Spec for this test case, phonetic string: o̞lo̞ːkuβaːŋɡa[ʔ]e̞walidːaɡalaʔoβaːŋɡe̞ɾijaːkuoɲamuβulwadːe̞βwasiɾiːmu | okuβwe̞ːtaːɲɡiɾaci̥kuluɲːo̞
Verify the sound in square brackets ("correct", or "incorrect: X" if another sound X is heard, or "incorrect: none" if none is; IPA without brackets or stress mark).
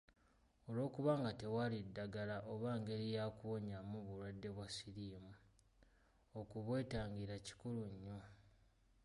incorrect: t